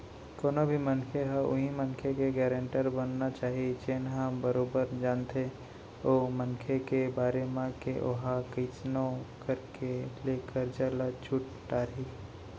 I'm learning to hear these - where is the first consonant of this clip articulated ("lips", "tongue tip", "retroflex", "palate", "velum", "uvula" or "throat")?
velum